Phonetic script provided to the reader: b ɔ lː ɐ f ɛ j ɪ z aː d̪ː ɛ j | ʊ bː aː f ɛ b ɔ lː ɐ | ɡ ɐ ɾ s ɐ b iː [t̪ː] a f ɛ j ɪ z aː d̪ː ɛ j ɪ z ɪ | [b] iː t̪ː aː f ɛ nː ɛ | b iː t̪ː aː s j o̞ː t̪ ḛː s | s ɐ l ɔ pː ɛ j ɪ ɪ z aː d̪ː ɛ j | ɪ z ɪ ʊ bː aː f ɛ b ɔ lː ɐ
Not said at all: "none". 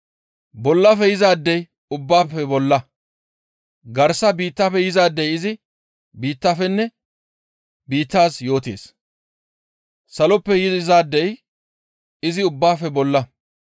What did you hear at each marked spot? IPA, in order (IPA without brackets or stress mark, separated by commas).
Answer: t̪ː, b